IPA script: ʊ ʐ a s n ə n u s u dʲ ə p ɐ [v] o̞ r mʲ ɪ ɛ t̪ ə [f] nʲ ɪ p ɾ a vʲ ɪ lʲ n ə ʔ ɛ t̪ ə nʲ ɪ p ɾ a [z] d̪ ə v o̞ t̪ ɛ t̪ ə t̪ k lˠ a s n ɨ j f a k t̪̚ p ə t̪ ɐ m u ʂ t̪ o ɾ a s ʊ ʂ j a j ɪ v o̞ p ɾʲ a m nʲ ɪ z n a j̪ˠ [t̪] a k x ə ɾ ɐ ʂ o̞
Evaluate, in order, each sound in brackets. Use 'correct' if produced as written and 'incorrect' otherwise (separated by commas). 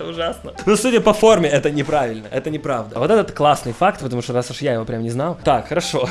incorrect, incorrect, incorrect, correct